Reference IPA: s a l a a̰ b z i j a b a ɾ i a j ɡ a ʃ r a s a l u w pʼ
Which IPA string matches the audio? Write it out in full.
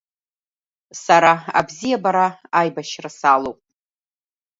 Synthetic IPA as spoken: s a ɾ a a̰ b z i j a b a ɾ a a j b a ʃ r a s a l o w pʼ